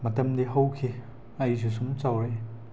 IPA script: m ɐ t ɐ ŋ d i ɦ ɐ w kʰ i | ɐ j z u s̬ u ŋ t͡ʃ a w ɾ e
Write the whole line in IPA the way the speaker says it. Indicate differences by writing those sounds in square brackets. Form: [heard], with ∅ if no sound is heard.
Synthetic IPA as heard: m ɐ t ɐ [m] d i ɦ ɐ w kʰ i | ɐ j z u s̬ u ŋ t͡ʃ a w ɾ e